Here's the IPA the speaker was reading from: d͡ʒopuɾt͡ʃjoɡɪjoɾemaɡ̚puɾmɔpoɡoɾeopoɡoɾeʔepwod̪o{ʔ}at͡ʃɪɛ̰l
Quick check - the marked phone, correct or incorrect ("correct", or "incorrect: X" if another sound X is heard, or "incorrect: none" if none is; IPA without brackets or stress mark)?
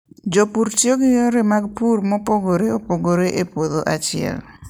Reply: correct